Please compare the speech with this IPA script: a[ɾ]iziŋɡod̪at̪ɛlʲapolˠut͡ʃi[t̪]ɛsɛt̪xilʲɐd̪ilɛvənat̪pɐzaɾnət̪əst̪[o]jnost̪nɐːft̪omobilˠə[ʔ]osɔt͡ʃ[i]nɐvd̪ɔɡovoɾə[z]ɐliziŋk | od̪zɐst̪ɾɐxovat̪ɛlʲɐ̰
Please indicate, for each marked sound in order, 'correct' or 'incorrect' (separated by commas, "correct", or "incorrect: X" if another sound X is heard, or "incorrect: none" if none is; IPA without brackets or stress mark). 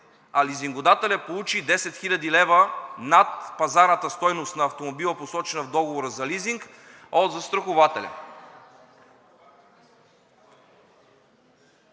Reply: incorrect: l, incorrect: d̪, incorrect: ɔ, incorrect: p, incorrect: ɛ, correct